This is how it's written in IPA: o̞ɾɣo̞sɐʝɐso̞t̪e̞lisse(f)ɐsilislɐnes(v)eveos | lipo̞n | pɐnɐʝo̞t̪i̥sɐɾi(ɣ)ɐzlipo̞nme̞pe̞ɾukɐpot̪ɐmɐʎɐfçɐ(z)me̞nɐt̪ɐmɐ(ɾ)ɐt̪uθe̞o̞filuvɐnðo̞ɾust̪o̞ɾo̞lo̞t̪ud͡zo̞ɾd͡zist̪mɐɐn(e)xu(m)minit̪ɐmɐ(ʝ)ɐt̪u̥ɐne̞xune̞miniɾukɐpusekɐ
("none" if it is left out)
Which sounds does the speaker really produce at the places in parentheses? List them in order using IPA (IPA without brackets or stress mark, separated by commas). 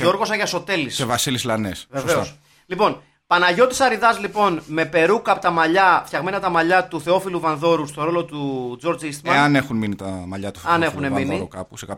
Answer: v, v, ð, ɣ, ʎ, e, n, ʎ